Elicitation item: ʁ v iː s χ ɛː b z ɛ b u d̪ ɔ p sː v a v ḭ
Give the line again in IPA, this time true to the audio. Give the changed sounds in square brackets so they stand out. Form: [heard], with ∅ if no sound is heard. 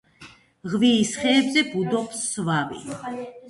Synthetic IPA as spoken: ʁ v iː s χ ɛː b z ɛ b u d̪ ɔ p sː v a v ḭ